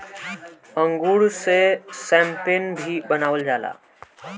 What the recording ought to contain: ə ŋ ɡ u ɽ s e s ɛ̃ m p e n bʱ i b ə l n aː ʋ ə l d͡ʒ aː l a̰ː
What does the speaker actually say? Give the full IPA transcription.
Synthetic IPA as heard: ə ŋ ɡ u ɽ s e s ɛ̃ m p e n bʱ i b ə n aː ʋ ə l d͡ʒ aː l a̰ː